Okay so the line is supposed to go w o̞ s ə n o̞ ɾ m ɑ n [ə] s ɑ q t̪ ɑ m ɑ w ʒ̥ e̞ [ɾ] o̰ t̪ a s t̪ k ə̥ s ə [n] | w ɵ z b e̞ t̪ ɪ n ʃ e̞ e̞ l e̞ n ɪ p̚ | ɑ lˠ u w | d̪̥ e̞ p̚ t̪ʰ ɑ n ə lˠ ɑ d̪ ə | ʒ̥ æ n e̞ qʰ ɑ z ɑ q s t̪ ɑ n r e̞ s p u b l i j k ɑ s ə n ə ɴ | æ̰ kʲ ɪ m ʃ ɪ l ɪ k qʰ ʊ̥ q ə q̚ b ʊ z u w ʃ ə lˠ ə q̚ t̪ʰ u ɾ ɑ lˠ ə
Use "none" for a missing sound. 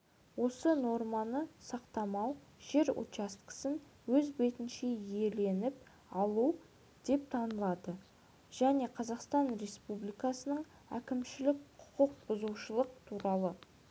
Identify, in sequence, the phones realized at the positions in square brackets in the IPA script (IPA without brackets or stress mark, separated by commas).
ə, ɾ, n